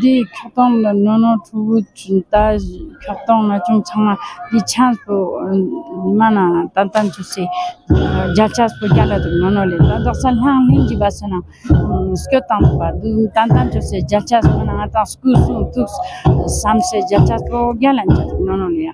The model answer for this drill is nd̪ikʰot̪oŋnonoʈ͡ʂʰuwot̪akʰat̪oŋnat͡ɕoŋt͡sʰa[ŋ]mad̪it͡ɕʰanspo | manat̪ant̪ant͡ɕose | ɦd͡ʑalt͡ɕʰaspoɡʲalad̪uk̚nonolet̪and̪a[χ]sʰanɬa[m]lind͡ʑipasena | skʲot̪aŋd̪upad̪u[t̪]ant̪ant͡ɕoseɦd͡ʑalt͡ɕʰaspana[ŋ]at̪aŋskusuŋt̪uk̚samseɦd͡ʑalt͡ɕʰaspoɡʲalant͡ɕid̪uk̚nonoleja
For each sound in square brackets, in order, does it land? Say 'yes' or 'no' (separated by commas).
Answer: yes, yes, no, yes, yes